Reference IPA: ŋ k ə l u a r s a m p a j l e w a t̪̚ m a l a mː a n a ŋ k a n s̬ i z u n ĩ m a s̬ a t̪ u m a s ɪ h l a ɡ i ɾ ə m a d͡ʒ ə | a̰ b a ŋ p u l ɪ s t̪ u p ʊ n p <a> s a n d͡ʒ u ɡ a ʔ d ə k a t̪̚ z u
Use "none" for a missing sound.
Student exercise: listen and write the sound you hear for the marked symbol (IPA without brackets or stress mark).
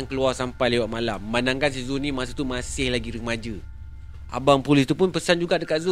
ə